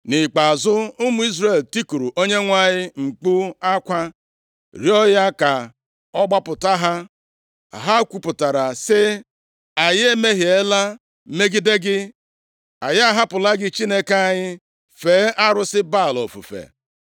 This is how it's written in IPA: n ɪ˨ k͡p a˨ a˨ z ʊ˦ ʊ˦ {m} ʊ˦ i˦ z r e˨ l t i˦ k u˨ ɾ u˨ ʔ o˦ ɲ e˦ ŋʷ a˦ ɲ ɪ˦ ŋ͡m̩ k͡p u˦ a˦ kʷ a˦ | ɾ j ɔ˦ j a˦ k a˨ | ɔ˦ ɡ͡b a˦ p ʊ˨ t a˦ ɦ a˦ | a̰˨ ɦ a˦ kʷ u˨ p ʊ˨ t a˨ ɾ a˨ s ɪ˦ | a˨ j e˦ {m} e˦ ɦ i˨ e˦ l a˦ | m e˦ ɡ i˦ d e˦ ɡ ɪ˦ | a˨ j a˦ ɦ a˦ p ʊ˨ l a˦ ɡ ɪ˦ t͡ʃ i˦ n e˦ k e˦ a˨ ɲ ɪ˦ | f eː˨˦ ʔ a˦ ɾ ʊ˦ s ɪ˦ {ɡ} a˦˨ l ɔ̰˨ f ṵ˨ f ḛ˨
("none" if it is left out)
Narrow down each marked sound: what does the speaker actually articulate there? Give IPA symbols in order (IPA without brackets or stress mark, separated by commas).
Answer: m, m, b